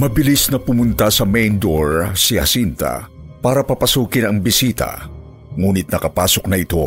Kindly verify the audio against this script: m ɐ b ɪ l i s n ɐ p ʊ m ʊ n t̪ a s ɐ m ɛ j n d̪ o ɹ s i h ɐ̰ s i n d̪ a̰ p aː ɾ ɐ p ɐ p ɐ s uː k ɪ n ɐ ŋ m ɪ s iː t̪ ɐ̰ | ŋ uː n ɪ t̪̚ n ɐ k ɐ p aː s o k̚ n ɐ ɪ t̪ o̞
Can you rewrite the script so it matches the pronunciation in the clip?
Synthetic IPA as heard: m ɐ b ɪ l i s n ɐ p ʊ m ʊ n t̪ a s ɐ m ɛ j n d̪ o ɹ s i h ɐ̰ s i n t̪ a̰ p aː ɾ ɐ p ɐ p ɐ s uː k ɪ n ɐ ŋ b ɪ s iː t̪ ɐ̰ | ŋ uː n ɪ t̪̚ n ɐ k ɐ p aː s o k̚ n ɐ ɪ t̪ o̞